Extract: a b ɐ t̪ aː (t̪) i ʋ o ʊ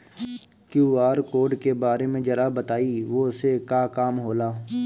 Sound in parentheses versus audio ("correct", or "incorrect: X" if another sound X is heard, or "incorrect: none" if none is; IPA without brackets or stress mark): incorrect: none